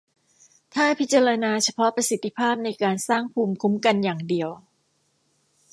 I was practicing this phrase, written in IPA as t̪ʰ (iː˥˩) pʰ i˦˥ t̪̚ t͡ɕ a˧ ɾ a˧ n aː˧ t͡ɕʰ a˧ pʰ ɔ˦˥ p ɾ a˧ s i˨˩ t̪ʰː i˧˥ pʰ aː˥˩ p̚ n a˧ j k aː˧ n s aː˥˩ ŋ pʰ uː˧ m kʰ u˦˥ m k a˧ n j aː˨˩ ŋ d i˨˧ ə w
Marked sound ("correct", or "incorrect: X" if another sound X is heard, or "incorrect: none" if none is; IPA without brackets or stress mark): incorrect: aː˥˩